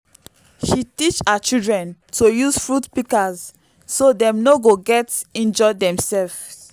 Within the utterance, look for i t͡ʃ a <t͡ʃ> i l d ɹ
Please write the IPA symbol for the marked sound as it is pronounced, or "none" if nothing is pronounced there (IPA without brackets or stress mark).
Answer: t͡ʃ